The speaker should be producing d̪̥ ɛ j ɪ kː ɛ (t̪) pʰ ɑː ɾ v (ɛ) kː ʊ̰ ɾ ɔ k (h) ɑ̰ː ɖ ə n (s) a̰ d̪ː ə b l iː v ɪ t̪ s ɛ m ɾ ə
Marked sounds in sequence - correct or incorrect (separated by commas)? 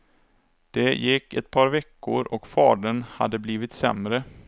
correct, correct, incorrect, incorrect